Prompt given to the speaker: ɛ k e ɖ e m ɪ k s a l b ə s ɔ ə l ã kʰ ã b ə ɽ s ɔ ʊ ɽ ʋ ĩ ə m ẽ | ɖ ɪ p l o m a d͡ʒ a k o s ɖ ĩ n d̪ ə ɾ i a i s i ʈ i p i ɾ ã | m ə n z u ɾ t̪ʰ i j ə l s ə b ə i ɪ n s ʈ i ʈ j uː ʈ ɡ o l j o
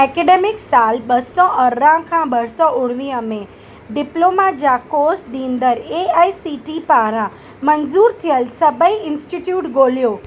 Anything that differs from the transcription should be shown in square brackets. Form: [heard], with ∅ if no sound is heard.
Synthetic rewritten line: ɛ k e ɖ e m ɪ k s a l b ə s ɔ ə [ɾ] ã kʰ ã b ə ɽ s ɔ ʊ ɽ ʋ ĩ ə m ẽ | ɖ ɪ p l o m a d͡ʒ a k o s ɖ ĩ n d̪ ə ɾ [e] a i s i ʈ i p [a] ɾ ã | m ə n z u ɾ t̪ʰ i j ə l s ə b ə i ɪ n s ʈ i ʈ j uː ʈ ɡ o l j o